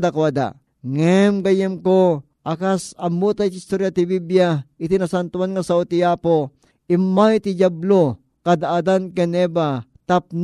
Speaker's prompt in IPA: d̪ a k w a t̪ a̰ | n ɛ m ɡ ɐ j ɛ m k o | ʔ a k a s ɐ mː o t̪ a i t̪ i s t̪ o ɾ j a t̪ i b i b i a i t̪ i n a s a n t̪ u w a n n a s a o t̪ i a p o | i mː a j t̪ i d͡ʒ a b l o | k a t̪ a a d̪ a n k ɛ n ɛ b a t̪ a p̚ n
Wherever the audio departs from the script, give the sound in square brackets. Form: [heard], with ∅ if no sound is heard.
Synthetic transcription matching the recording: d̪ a k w a [d̪] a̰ | [ŋ] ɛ m ɡ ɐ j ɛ m k o | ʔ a k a s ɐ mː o t̪ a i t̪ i s t̪ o ɾ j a t̪ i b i b [j] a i t̪ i n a s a n t̪ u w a n [ŋ] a s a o t̪ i a p o | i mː a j t̪ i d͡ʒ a b l o | k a [d̪] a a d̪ a n k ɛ n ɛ b a t̪ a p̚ n